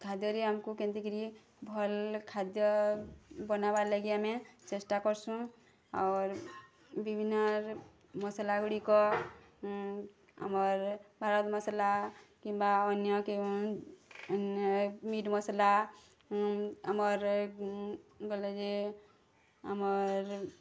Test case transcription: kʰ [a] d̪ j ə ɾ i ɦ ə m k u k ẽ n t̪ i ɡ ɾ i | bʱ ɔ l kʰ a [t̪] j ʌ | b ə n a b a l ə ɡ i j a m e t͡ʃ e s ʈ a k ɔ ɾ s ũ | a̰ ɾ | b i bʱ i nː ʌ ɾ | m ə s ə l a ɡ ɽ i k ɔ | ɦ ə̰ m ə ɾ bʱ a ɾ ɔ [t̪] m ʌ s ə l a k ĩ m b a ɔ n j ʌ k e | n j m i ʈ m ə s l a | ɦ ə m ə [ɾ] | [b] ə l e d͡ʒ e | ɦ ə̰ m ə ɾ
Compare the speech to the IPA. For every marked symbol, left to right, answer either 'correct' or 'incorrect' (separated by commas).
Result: correct, incorrect, correct, correct, incorrect